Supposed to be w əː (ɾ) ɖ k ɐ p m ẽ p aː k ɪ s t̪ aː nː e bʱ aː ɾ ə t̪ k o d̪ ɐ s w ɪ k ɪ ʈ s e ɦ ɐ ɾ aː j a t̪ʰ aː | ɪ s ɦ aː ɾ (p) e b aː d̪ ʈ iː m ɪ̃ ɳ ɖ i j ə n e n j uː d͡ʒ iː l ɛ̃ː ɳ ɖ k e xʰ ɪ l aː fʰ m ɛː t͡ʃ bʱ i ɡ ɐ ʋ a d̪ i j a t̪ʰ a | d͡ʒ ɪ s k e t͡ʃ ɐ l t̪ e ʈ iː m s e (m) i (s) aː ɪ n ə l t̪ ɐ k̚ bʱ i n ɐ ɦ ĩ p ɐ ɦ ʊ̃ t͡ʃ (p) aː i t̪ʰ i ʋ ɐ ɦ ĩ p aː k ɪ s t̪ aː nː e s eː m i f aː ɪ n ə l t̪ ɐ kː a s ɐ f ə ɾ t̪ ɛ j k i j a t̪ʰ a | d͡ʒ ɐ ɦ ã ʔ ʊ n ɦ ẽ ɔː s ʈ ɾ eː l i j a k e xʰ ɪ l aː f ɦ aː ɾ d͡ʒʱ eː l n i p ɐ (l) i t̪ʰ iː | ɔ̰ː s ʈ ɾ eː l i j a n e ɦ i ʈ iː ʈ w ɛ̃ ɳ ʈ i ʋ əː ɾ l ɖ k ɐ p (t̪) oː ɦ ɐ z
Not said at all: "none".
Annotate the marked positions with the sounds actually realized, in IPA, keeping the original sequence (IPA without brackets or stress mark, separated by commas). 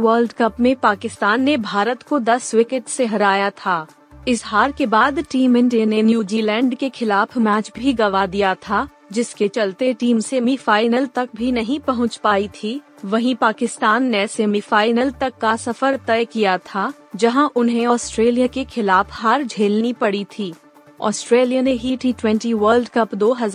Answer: l, k, m, f, p, ɽ, d̪